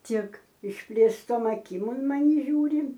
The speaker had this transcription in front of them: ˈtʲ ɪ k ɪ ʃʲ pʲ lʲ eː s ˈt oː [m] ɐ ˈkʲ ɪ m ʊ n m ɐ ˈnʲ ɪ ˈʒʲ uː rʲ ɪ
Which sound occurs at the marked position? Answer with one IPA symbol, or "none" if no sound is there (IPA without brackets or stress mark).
m